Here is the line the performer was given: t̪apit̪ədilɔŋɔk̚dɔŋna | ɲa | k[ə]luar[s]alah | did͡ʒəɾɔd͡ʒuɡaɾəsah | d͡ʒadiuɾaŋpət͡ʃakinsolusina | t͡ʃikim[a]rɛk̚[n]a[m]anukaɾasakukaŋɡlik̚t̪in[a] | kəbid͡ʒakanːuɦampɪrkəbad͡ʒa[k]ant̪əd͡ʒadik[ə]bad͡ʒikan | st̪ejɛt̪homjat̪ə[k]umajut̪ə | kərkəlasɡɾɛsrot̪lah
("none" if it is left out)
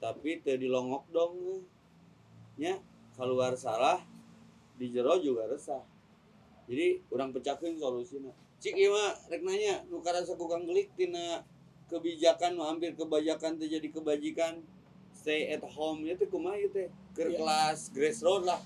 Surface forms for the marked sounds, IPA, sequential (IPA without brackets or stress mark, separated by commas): a, s, a, n, ɲ, a, k, ə, k